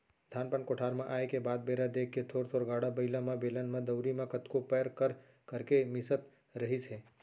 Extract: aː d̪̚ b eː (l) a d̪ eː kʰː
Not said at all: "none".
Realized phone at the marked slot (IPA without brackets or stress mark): ɾ